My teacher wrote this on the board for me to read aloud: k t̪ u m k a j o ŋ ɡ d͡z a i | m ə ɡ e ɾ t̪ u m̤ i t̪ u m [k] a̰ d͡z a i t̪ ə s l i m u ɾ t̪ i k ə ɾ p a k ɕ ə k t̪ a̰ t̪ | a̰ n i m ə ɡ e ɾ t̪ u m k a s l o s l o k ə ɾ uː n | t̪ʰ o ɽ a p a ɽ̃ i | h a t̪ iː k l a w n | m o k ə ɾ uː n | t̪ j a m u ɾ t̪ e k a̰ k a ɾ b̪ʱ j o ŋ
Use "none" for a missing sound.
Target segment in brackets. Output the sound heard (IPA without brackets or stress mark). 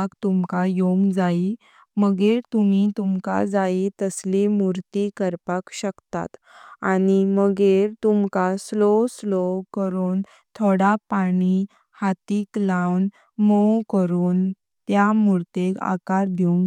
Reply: k